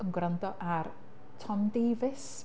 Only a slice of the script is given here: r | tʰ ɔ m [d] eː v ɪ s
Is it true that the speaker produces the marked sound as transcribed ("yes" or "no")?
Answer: yes